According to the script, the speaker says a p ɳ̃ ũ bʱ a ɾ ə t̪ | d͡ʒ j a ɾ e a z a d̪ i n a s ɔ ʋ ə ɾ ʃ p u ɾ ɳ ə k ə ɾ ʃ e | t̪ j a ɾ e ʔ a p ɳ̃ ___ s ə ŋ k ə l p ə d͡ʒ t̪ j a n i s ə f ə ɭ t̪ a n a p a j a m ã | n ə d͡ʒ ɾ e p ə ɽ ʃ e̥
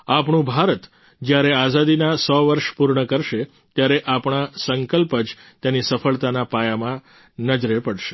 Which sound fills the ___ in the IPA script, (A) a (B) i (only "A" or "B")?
A